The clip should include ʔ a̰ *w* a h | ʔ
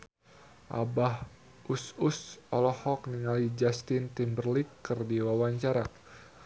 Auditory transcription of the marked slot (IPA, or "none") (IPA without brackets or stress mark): b